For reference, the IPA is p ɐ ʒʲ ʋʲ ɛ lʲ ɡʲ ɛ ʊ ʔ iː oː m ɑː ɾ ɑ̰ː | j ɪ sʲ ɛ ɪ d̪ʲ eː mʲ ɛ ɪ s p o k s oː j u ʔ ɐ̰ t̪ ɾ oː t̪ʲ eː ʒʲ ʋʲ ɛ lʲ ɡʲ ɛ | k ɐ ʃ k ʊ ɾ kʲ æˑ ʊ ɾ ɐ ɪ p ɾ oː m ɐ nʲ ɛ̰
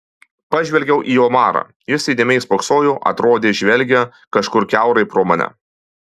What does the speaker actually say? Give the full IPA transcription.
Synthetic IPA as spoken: p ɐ ʒʲ ʋʲ ɛ lʲ ɡʲ ɛ ʊ ʔ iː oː m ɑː ɾ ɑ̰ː | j ɪ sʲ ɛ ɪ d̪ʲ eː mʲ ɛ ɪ s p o k s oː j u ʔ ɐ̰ t̪ ɾ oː d̪ʲ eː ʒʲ ʋʲ ɛ lʲ ɡʲ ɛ | k ɐ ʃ k ʊ ɾ kʲ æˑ ʊ ɾ ɐ ɪ p ɾ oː m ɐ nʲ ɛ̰